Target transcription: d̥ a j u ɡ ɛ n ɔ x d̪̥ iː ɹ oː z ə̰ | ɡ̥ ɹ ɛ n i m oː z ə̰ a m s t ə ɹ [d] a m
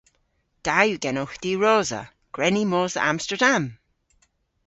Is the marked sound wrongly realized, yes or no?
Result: no